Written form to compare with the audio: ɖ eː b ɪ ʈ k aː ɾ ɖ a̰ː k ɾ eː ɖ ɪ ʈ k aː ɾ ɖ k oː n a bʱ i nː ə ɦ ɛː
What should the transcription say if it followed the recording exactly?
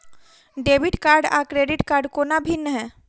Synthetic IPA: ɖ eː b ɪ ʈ k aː ɾ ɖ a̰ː k ɾ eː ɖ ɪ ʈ k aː ɾ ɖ k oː n a bʱ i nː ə ɦ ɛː